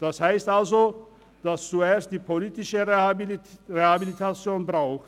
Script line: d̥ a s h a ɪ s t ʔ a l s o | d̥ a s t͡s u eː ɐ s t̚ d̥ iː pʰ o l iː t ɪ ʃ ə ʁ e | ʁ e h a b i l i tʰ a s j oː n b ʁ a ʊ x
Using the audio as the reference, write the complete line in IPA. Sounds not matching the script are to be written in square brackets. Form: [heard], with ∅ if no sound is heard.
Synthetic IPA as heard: d̥ a s h a ɪ s t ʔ a l [z] o | d̥ a s t͡s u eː ɐ s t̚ d̥ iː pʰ o l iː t ɪ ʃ ə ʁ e | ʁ e h a b i l i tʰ a [t͡s] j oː n b ʁ a ʊ x